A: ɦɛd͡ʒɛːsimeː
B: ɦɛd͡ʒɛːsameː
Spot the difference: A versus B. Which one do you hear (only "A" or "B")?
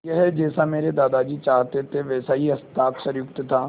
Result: B